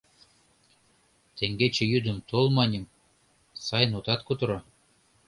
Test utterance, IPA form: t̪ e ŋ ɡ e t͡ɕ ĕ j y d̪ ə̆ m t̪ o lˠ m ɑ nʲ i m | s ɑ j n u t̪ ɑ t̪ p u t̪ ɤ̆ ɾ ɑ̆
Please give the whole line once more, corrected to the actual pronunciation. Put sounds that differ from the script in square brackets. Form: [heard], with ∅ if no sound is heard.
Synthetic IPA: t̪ e ŋ ɡ e t͡ɕ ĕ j y d̪ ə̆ m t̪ o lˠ m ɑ nʲ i m | s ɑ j n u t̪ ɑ t̪ [k] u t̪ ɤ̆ ɾ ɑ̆